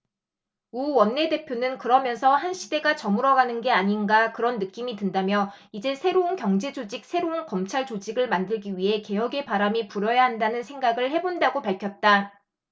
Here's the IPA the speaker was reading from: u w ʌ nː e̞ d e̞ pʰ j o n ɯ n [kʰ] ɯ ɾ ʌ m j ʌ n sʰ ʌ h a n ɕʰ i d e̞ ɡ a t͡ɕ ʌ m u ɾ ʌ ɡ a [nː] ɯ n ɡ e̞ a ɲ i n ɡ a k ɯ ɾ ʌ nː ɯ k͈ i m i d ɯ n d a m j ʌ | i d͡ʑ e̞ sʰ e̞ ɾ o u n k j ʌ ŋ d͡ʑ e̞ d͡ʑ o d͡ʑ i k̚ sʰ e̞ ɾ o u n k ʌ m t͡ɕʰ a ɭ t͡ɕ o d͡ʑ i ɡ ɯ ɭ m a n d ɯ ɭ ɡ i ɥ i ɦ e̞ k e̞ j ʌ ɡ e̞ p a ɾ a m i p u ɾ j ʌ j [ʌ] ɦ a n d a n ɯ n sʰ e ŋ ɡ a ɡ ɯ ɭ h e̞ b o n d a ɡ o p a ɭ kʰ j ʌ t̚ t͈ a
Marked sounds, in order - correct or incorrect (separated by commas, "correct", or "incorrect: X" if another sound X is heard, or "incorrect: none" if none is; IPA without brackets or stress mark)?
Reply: incorrect: k, incorrect: n, incorrect: a